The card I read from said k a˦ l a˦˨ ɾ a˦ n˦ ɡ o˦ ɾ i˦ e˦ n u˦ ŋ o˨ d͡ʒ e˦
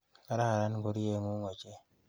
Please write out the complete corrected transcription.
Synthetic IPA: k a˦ ɾ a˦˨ ɾ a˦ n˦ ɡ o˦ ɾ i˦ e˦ ŋ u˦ ŋ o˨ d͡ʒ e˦